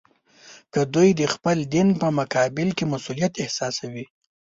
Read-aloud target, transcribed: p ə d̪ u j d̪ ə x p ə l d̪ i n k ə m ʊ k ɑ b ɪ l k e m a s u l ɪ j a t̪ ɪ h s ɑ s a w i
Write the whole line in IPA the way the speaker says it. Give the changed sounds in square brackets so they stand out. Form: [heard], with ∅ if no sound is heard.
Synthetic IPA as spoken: [k] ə d̪ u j d̪ ə x p ə l d̪ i n [p] ə m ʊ k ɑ b ɪ l k e m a s u l [i] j a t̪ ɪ h s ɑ s a w i